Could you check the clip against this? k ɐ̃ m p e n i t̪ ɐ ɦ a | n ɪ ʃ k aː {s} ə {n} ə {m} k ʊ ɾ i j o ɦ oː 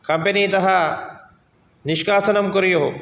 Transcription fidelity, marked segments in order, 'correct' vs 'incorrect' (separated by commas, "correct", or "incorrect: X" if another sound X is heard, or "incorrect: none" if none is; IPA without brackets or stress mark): correct, correct, correct